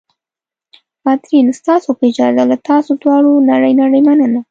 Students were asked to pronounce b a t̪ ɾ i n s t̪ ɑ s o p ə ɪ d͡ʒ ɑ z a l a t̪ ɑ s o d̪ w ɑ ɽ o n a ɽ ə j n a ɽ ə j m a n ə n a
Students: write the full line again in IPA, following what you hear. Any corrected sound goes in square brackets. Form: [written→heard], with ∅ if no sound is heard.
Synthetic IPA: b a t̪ ɾ i n s t̪ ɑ s o p ə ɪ d͡ʒ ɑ z a l a t̪ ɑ s o d̪ w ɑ ɽ o n a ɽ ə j n a ɽ ə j m a n ə n a